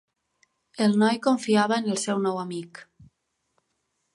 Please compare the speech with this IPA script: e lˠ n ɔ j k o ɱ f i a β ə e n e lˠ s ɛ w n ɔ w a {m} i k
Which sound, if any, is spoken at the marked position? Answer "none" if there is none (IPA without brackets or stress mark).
m